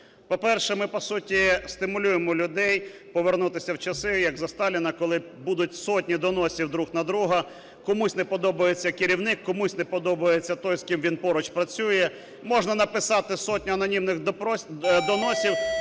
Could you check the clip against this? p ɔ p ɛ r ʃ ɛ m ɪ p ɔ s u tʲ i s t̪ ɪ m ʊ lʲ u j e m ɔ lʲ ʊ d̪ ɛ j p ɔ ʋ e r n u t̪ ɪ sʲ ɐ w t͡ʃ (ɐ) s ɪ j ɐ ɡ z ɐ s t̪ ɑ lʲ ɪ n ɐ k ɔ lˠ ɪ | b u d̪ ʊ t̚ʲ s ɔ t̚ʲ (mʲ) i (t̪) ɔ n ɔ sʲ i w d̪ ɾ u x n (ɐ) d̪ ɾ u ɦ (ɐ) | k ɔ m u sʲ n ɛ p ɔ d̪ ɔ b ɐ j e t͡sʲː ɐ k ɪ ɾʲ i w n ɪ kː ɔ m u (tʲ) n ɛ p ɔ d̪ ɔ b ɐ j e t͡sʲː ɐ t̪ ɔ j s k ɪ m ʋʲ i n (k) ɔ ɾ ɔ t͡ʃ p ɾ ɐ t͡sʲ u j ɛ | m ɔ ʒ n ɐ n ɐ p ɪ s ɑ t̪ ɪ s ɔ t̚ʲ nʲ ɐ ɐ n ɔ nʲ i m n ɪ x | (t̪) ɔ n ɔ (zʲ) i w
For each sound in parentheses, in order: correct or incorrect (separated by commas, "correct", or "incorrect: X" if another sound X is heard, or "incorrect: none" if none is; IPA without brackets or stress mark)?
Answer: correct, incorrect: nʲ, incorrect: d̪, correct, correct, incorrect: sʲ, incorrect: p, incorrect: d̪, incorrect: sʲ